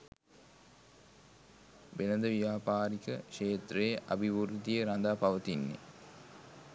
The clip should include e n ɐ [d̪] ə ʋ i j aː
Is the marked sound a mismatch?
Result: no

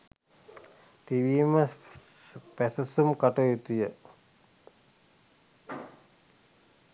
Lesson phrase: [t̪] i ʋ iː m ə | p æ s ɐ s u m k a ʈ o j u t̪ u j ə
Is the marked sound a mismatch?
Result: no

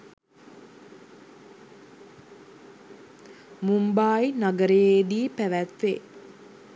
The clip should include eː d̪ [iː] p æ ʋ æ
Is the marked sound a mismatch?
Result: no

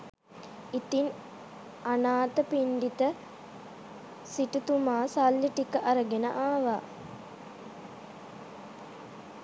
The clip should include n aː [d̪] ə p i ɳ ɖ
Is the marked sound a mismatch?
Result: yes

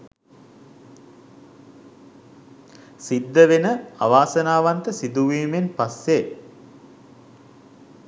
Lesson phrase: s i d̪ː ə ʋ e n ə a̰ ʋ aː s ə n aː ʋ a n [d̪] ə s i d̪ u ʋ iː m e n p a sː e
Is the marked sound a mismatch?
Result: yes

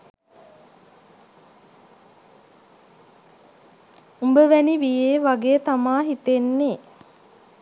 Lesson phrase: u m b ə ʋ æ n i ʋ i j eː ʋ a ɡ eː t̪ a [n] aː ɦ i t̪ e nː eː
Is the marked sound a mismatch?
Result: yes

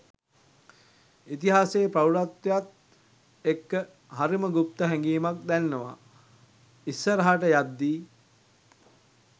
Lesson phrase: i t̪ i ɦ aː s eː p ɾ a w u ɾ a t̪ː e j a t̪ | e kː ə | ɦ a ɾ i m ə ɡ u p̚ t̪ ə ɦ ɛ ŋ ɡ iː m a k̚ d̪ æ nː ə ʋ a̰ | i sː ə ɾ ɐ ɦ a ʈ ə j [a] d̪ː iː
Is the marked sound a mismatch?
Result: no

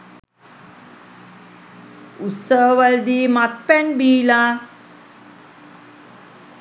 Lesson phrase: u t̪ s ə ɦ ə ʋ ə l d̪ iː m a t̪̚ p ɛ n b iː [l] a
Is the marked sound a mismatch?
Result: no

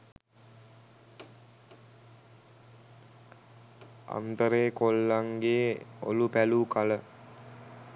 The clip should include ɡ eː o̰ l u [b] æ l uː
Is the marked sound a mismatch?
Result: yes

